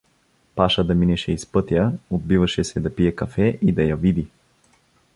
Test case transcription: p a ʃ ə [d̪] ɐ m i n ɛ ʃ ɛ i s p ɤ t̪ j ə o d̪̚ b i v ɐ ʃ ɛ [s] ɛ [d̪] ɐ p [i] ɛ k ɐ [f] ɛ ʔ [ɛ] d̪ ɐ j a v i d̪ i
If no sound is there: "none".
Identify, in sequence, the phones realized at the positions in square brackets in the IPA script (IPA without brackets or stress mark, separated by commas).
d̪, s, d̪, i, f, i